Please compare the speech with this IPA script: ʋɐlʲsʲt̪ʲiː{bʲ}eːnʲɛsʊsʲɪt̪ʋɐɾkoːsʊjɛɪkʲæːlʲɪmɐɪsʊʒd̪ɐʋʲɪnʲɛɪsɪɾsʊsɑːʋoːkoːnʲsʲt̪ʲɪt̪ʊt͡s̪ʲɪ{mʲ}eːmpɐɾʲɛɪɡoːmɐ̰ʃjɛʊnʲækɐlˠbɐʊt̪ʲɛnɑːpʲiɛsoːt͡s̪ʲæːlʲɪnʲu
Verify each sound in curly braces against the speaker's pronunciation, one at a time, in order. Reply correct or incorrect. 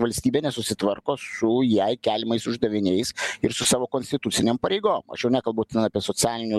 correct, incorrect

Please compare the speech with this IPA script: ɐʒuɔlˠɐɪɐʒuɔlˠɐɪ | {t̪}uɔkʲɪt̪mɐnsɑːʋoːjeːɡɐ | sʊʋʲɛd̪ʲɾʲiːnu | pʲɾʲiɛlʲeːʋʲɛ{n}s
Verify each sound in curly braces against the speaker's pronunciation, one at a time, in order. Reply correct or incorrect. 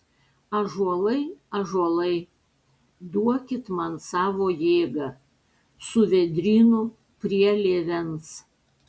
incorrect, correct

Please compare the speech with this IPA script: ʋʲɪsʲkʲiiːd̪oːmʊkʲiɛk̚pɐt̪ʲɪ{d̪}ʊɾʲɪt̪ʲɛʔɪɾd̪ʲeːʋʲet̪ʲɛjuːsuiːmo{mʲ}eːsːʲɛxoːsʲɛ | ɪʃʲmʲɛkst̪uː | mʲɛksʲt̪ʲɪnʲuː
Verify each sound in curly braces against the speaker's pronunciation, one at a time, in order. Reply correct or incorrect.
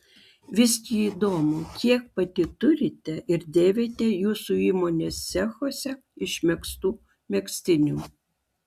incorrect, incorrect

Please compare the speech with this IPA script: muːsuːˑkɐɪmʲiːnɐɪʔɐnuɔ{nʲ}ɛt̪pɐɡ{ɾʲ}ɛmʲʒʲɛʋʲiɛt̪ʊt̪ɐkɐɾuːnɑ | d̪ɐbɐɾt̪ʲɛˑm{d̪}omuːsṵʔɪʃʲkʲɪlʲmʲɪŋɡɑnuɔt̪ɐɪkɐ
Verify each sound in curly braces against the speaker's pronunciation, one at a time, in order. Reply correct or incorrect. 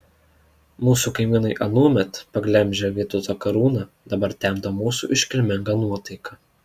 incorrect, incorrect, correct

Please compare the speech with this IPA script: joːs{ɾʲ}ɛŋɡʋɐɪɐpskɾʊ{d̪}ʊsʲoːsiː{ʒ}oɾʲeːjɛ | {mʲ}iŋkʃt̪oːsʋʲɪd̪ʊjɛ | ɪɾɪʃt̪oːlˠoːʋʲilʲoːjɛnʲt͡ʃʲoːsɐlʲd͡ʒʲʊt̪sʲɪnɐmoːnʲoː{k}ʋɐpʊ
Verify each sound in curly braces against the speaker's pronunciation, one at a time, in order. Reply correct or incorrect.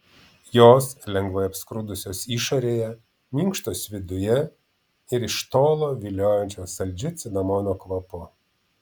incorrect, correct, incorrect, correct, correct

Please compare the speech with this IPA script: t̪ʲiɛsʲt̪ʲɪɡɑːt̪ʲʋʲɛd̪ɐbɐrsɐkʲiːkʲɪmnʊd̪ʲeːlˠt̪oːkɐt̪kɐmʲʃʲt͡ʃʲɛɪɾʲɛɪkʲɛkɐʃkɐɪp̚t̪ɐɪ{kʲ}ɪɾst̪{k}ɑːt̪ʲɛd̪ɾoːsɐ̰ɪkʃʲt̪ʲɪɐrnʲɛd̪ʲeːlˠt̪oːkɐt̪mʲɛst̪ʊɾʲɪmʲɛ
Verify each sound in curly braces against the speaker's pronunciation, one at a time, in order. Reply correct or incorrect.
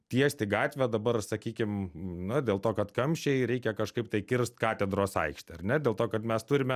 correct, correct

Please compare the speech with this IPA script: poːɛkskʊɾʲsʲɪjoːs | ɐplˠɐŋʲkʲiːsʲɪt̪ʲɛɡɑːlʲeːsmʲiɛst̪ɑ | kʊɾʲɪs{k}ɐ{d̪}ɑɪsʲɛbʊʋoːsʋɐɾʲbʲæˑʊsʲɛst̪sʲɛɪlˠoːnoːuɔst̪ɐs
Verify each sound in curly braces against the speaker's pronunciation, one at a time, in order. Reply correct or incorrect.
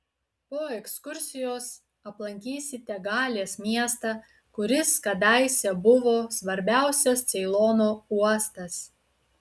correct, correct

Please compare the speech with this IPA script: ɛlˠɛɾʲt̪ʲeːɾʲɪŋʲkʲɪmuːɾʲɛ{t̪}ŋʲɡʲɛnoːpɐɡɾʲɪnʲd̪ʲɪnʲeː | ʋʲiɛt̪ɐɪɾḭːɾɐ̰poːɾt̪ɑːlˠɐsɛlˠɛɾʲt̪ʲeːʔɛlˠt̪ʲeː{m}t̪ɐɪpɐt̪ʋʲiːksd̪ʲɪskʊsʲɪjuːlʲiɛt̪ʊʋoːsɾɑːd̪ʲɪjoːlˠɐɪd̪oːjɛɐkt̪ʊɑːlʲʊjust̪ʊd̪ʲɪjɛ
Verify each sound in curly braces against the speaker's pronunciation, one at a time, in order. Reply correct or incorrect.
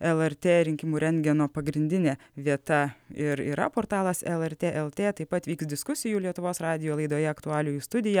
incorrect, incorrect

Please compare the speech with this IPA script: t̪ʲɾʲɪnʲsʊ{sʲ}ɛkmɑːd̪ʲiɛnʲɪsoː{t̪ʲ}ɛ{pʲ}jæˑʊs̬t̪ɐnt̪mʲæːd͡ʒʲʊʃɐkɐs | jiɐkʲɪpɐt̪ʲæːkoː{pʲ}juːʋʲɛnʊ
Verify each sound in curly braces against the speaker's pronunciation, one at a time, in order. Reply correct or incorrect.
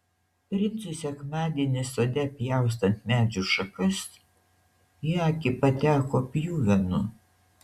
correct, incorrect, correct, correct

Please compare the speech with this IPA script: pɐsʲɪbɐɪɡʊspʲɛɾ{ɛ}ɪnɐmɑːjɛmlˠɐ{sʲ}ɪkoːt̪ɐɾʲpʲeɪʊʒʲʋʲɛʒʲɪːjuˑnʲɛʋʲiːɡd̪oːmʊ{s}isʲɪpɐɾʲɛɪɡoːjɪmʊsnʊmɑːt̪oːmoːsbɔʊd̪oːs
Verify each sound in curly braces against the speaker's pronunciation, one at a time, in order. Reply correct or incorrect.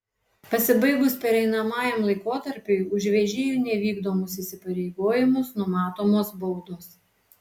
correct, incorrect, correct

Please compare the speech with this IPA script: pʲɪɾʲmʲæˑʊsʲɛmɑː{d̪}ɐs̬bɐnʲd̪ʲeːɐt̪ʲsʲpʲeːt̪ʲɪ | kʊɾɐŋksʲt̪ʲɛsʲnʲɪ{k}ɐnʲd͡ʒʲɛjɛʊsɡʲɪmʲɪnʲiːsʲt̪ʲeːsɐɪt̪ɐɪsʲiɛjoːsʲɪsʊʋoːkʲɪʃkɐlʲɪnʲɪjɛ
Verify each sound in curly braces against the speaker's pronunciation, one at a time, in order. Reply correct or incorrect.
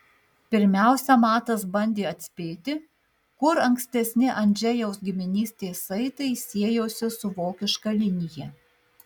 incorrect, incorrect

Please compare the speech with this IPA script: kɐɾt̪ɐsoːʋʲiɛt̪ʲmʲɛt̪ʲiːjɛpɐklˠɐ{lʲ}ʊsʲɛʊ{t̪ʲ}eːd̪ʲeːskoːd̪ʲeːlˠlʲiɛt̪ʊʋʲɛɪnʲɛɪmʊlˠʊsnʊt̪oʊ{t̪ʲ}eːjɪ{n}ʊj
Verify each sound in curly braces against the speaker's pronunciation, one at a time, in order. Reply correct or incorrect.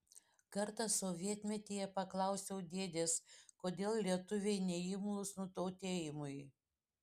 incorrect, incorrect, correct, incorrect

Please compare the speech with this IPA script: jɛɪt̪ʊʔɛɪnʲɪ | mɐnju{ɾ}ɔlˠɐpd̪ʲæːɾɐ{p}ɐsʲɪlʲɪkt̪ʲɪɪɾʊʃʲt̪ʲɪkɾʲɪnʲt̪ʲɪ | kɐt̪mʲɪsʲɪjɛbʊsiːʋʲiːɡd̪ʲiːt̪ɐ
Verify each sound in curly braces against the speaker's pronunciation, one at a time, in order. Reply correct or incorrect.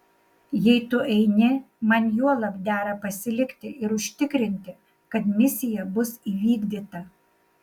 incorrect, correct

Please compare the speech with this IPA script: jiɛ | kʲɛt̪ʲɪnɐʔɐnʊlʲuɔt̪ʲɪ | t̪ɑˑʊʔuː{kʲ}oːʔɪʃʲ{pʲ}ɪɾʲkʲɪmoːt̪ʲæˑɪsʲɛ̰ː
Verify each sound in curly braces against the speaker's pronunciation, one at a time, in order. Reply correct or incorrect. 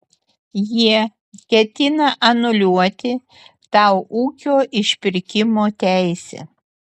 correct, correct

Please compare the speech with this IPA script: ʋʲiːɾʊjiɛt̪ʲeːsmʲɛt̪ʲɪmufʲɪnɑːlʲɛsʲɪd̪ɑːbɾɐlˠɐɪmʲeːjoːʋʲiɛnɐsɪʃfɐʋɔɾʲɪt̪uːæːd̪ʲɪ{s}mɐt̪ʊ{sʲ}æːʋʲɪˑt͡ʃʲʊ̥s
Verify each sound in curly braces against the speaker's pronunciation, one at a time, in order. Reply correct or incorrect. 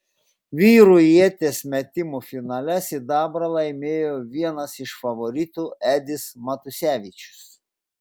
correct, correct

